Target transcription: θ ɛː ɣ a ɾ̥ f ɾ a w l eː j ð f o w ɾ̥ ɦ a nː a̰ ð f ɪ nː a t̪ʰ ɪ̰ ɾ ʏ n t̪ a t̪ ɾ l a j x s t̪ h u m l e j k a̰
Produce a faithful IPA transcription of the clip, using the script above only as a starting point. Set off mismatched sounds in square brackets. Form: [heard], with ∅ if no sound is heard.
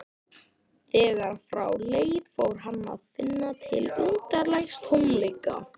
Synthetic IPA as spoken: θ ɛː ɣ a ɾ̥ f ɾ a w l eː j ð f o w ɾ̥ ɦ a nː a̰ ð f ɪ nː a t̪ʰ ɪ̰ [l] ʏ n t̪ a [∅] ɾ l a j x s t̪ h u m l e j k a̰